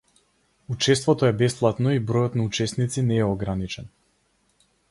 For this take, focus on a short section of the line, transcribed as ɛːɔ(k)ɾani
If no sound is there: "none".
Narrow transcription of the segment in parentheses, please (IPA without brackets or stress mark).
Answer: ɡ